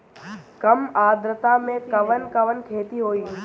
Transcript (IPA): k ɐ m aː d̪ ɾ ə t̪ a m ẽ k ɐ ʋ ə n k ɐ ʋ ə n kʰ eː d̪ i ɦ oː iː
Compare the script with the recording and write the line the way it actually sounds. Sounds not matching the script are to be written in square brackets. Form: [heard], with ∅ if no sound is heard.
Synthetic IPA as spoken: k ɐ m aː d̪ ɾ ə t̪ a m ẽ k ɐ ʋ ə n k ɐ ʋ ə n kʰ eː [t̪] i ɦ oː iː

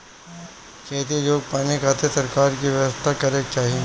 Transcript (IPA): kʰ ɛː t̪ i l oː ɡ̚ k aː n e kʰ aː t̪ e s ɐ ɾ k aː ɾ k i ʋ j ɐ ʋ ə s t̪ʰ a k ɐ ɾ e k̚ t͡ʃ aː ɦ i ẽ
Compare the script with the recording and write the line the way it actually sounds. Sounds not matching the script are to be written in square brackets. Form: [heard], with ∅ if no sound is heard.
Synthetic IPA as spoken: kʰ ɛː t̪ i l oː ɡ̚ [p] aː n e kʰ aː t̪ e s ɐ ɾ k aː ɾ k i ʋ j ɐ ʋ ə s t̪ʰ a k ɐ ɾ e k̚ t͡ʃ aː ɦ i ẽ

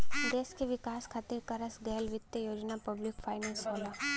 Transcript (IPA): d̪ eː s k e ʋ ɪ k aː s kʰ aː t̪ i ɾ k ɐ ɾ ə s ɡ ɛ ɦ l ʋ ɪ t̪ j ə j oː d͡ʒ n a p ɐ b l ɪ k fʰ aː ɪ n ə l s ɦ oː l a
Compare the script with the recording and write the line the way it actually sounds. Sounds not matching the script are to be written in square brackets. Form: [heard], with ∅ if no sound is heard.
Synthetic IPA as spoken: d̪ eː s k e ʋ ɪ k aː s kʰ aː t̪ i ɾ k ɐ ɾ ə s ɡ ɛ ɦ l ʋ ɪ t̪ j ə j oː d͡ʒ n a p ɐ b l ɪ k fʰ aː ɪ n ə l s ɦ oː l a

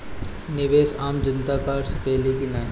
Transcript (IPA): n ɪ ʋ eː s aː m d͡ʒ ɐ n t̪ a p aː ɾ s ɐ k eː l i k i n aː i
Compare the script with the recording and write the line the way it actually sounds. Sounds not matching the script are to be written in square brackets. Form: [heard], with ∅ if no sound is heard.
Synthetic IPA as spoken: n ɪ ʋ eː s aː m d͡ʒ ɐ n t̪ a [k] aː ɾ s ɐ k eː l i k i n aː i

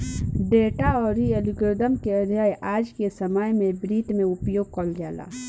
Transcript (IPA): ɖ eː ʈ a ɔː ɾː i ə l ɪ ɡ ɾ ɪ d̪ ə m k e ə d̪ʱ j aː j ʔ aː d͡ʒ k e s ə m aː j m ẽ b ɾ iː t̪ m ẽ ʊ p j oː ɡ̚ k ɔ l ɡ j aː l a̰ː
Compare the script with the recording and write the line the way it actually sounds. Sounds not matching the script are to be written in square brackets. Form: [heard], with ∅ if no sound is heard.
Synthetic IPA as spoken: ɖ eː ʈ a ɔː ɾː i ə l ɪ ɡ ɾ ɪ d̪ ə m k e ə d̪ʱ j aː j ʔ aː d͡ʒ k e s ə m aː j m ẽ b ɾ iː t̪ m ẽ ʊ p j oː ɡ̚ k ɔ l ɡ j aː l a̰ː

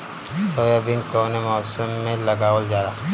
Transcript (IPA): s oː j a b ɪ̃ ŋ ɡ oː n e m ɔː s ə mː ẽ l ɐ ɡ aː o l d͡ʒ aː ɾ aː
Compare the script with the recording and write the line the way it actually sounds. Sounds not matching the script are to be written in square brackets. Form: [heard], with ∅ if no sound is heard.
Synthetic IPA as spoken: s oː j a b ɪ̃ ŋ [k] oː n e m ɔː s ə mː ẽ l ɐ ɡ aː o l d͡ʒ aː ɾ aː

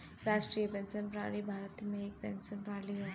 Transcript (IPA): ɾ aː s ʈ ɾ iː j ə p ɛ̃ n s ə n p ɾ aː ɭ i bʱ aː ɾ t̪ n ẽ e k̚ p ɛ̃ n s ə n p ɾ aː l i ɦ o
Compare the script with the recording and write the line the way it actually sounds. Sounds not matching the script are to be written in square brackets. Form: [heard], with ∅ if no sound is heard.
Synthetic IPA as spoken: ɾ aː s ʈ ɾ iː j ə p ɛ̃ n s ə n p ɾ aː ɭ i bʱ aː ɾ t̪ [m] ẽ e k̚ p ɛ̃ n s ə n p ɾ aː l i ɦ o

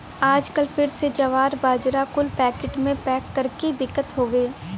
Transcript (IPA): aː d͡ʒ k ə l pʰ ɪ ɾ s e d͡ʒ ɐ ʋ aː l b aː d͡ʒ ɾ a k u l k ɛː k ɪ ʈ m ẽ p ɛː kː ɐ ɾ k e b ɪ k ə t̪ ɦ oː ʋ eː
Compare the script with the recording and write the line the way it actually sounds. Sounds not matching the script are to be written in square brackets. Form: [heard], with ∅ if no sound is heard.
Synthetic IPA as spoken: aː d͡ʒ k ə l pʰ ɪ ɾ s e d͡ʒ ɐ ʋ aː [ɾ] b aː d͡ʒ ɾ a k [ʊ] l [p] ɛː k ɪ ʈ m ẽ p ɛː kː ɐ ɾ k e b ɪ k ə t̪ ɦ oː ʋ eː

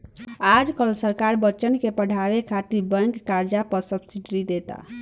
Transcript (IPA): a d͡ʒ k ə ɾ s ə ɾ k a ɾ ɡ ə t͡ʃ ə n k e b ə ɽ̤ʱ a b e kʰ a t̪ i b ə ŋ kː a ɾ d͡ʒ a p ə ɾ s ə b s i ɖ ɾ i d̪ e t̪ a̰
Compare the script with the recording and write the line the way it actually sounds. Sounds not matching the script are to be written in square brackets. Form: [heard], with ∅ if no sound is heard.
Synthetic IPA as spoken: a d͡ʒ k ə [l] s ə ɾ k a ɾ [b] ə t͡ʃ ə n k e [p] ə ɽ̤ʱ a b e kʰ a t̪ i b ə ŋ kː a ɾ d͡ʒ a p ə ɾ s ə b s i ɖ ɾ i d̪ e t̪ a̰

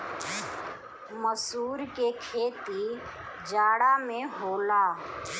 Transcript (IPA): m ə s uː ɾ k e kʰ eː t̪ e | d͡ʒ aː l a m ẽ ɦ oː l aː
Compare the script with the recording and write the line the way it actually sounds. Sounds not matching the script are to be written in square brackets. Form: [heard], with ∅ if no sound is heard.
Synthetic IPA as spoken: m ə s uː ɾ k e kʰ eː t̪ [i] | d͡ʒ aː [ɽ] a m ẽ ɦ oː l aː

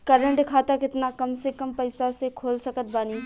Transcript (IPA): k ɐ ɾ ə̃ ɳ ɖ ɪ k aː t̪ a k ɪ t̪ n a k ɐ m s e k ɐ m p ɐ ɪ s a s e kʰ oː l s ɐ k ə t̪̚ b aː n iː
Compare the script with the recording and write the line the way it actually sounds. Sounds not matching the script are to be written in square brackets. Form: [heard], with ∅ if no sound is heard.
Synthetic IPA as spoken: k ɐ ɾ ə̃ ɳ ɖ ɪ [kʰ] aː t̪ a k ɪ t̪ n a k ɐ m s e k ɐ m p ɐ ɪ s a s e kʰ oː l s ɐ k ə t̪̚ b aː n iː

